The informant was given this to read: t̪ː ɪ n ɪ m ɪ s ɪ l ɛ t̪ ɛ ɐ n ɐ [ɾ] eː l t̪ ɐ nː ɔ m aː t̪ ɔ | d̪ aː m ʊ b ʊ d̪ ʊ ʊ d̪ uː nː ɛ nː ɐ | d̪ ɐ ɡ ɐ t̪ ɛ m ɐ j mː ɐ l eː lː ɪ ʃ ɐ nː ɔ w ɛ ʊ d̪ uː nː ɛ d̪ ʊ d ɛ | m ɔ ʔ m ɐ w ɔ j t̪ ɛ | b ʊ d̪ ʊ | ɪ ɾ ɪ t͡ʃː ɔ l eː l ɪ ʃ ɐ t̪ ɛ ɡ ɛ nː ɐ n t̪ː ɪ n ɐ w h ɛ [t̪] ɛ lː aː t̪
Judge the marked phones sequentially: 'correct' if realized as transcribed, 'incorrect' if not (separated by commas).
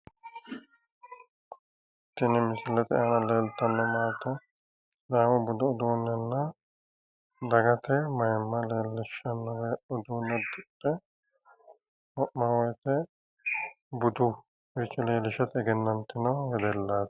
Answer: incorrect, incorrect